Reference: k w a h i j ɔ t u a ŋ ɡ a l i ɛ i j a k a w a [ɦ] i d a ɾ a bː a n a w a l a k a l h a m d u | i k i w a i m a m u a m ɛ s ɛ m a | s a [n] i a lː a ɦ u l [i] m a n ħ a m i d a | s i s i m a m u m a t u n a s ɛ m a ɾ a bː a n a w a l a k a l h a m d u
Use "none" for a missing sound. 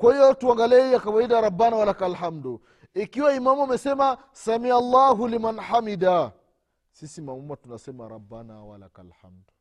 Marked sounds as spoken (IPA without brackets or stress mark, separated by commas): none, m, i